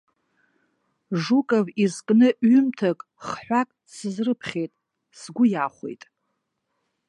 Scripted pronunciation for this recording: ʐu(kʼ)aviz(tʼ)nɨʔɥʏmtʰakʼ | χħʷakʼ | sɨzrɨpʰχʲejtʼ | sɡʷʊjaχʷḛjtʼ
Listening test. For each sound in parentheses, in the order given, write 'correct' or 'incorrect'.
correct, incorrect

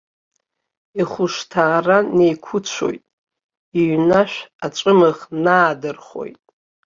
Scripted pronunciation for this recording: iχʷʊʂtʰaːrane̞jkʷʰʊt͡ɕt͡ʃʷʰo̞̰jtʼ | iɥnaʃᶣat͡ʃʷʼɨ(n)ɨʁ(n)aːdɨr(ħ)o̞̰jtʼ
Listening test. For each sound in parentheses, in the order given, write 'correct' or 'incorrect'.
incorrect, correct, incorrect

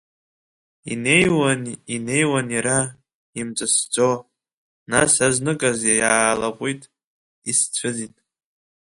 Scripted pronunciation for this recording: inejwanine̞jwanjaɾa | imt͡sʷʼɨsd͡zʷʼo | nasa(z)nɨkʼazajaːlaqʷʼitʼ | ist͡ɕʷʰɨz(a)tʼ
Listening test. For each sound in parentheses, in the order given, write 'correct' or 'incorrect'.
correct, incorrect

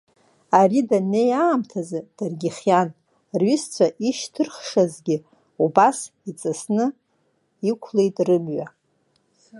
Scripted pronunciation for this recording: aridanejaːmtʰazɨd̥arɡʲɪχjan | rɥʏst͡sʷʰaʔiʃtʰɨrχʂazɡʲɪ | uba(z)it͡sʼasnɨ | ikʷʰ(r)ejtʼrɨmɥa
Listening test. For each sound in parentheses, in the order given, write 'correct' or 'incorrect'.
incorrect, incorrect

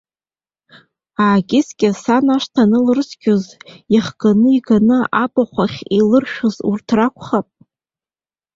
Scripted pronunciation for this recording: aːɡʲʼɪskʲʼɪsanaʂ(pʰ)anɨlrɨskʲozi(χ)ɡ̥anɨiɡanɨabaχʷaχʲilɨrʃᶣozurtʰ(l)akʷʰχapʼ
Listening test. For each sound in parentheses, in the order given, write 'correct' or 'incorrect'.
incorrect, correct, incorrect

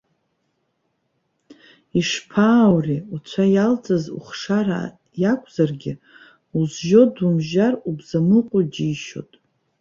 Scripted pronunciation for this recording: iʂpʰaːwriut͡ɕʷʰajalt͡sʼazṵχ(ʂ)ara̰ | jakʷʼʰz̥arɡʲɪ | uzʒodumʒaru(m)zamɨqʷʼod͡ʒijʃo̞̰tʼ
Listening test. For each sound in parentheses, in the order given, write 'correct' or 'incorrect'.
correct, incorrect

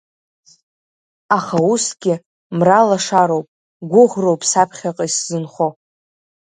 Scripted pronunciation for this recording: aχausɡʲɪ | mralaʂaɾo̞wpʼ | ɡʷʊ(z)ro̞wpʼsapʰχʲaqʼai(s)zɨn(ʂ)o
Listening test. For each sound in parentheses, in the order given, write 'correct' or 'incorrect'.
incorrect, correct, incorrect

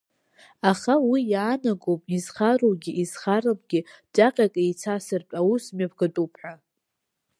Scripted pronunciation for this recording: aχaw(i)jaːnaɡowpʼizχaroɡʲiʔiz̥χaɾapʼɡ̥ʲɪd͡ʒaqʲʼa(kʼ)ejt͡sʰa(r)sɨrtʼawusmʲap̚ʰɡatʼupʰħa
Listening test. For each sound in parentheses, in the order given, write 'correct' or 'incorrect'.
correct, correct, incorrect

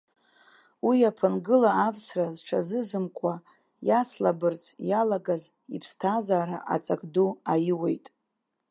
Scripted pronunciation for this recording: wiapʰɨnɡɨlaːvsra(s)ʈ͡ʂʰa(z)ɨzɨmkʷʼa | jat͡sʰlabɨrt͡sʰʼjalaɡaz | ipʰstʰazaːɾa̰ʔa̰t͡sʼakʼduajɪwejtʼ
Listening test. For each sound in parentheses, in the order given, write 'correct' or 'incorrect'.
incorrect, correct

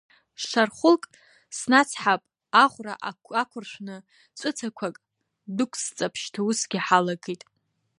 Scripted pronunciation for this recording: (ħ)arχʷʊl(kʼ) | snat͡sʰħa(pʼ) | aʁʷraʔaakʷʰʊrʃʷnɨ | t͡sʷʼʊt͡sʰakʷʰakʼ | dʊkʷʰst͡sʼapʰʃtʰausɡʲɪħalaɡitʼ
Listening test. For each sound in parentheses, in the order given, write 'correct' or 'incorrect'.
incorrect, correct, correct

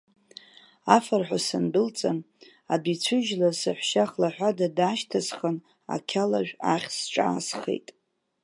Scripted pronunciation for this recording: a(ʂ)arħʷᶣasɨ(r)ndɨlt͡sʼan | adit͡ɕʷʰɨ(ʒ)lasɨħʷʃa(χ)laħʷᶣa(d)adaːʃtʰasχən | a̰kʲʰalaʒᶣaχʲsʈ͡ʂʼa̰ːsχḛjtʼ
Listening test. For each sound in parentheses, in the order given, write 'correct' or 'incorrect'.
incorrect, incorrect, correct, correct, correct

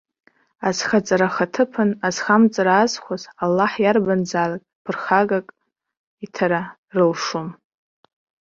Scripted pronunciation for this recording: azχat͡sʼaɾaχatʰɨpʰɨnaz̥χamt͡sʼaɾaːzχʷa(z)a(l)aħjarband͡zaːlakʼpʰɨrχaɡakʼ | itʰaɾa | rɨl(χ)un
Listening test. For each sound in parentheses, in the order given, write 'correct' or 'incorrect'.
correct, incorrect, incorrect

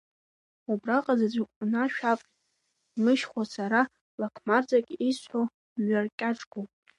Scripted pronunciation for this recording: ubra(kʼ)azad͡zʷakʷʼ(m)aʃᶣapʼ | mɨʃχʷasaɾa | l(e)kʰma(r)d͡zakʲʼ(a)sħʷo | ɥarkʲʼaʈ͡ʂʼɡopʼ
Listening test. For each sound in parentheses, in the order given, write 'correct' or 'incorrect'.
incorrect, incorrect, incorrect, correct, incorrect

